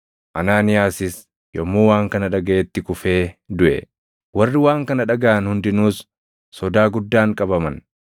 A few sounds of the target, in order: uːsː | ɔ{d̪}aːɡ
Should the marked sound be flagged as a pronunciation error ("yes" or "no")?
no